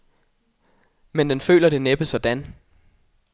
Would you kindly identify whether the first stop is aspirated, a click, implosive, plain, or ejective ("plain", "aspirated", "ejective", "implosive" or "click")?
plain